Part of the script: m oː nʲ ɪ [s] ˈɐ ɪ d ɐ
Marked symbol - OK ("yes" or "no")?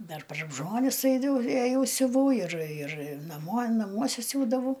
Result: yes